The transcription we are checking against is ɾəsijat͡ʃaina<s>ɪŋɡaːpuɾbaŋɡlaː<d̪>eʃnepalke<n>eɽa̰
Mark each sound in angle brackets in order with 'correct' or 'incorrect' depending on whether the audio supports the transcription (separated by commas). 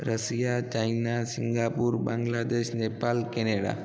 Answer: correct, correct, correct